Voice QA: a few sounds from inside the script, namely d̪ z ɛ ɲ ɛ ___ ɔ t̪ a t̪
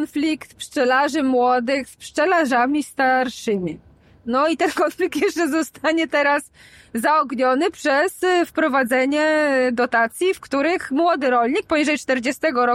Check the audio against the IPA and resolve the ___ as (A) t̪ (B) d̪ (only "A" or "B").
B